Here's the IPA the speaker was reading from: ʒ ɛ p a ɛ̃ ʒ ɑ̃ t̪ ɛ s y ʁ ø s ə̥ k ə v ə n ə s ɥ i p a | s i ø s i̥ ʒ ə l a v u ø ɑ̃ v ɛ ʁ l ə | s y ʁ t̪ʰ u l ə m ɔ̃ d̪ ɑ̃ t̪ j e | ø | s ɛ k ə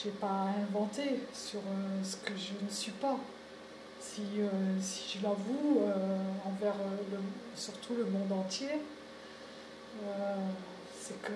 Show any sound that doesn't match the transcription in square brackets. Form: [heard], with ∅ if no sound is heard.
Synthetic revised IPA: ʒ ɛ p a ɛ̃ [v] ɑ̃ t̪ [e] s y ʁ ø s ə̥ k ə [ʒ] ə n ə s ɥ i p a | s i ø s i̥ ʒ ə l a v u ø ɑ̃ v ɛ ʁ l ə | s y ʁ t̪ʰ u l ə m ɔ̃ d̪ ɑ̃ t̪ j e | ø | s ɛ k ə